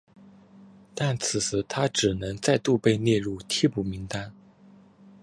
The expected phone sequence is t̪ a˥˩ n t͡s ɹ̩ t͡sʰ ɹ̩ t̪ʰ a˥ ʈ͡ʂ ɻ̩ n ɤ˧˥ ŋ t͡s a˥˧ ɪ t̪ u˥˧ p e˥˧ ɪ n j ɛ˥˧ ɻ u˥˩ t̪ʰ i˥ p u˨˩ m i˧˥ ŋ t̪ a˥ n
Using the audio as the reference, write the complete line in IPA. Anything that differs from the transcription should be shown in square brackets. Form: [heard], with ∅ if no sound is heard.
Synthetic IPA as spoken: t̪ a˥˩ n [t͡sʰ] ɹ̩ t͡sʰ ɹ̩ t̪ʰ a˥ ʈ͡ʂ ɻ̩ n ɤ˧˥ ŋ t͡s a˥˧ ɪ t̪ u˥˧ p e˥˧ ɪ n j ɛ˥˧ ɻ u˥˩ t̪ʰ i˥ p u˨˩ m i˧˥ ŋ t̪ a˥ n